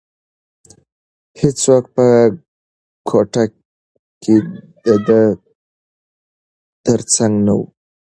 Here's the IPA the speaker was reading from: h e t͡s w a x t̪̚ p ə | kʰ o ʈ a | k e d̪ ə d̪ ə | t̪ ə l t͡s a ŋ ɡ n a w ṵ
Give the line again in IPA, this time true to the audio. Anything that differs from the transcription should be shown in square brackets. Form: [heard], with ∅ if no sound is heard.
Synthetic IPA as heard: h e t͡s w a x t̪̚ p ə | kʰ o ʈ a | k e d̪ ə d̪ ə | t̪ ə [ɾ] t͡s a ŋ ɡ n a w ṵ

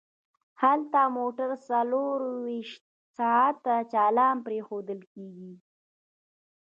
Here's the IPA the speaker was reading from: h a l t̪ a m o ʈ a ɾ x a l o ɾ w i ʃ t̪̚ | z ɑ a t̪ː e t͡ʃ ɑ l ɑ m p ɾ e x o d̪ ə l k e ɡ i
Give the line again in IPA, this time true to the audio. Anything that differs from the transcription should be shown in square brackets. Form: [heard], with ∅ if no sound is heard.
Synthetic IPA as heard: h a l t̪ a m o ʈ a ɾ [s] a l o ɾ w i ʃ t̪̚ | [s] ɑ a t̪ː [a] t͡ʃ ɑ l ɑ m p ɾ e x o d̪ ə l k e ɡ i

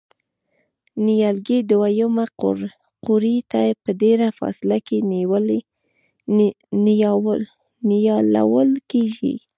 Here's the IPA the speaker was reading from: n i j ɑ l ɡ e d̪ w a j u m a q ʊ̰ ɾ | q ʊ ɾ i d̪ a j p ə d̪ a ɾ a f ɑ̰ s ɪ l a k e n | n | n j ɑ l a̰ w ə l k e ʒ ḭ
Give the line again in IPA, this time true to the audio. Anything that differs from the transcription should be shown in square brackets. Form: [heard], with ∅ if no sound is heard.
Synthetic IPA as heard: n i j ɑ l ɡ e d̪ w a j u m a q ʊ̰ ɾ | q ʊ ɾ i [t̪] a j p ə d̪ [e] ɾ a f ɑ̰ s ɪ l a k e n | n | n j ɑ l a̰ w ə l k e ʒ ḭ

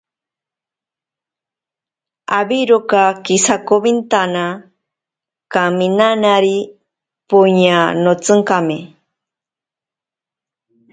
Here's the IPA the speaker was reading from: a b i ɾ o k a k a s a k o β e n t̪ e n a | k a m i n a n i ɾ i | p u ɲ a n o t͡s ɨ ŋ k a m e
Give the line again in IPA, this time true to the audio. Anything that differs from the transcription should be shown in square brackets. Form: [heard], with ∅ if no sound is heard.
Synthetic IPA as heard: a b i ɾ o k a k [i] s a k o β [i] n t̪ [a] n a | k a m i n a n [a] ɾ i | p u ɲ a n o t͡s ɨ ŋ k a m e

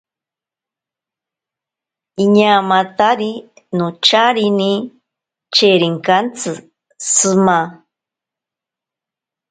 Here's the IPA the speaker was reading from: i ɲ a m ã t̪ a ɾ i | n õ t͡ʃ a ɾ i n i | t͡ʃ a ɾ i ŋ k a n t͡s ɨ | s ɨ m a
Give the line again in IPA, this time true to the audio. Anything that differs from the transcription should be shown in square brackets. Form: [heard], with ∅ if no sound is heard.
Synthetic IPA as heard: i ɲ a m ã t̪ a ɾ i | n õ t͡ʃ a ɾ i n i | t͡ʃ [e] ɾ i ŋ k a n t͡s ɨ | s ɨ m a

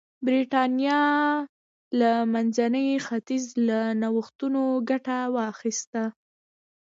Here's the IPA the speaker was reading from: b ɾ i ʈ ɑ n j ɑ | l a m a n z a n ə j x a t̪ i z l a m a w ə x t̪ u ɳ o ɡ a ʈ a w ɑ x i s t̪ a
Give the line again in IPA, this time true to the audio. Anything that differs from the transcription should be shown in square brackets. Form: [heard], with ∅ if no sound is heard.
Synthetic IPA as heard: b ɾ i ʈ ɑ n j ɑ | l a m a n z a n ə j x a t̪ i z l a [n] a w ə x t̪ u [n] o ɡ a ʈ a w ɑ x i s t̪ a

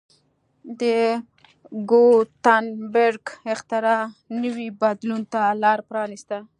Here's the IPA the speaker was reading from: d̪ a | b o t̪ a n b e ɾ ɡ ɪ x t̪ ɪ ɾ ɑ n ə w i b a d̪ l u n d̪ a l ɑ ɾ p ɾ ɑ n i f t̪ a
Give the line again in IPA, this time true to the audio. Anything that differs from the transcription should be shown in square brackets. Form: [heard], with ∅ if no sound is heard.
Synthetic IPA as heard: d̪ [ə] | [ɡ] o t̪ a n b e ɾ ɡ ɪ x t̪ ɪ ɾ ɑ n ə w i b a d̪ l u n [t̪] a l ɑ ɾ p ɾ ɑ n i [s] t̪ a

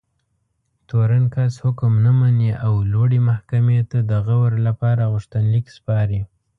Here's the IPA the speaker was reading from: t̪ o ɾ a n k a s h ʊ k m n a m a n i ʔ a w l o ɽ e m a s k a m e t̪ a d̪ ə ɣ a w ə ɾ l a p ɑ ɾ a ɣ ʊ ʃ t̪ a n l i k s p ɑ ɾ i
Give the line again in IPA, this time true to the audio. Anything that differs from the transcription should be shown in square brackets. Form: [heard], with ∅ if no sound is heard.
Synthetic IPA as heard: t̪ o ɾ a n k a s h ʊ k m n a m a n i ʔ a w l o ɽ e m a [h] k a m e t̪ a d̪ ə ɣ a w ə ɾ l a p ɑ ɾ a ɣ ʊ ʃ t̪ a n l i k s p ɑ ɾ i

